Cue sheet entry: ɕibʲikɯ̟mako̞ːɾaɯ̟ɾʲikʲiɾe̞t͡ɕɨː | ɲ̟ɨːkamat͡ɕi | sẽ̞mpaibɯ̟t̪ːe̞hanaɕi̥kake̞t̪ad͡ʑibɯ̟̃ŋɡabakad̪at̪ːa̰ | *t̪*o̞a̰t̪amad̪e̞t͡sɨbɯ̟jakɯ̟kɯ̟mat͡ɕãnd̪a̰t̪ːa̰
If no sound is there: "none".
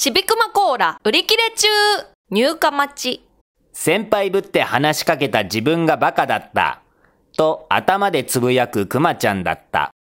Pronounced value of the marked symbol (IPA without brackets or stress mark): t̪